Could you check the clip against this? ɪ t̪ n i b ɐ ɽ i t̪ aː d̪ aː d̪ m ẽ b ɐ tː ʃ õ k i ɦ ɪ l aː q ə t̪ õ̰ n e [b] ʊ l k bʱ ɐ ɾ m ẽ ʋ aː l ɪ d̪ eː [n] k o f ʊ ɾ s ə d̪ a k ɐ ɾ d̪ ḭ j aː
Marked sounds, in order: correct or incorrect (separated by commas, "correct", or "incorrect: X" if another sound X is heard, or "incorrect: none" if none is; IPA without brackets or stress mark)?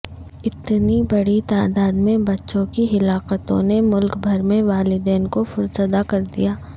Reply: incorrect: m, correct